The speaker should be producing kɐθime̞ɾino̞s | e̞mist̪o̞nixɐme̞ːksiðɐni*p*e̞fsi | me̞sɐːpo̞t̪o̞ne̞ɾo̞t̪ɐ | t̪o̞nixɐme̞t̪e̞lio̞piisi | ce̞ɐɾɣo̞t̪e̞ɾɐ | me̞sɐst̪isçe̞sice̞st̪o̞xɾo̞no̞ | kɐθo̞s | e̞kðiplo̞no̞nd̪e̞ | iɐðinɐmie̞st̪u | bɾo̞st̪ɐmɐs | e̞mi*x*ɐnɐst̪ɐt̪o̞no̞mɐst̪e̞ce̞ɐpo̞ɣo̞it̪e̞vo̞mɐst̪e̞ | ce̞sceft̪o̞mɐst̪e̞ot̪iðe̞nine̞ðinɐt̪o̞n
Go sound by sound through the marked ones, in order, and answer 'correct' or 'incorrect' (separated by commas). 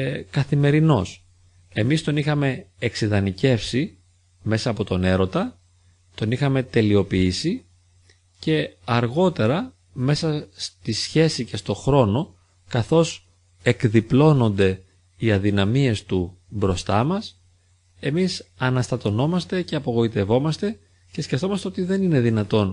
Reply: incorrect, incorrect